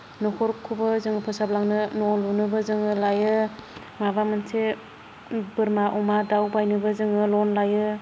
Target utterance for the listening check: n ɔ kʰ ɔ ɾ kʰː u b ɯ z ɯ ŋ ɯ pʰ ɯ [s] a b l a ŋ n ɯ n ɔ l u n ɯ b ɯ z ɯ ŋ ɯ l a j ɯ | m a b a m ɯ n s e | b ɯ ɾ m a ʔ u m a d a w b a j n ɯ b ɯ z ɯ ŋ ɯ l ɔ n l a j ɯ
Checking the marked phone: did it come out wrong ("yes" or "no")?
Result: no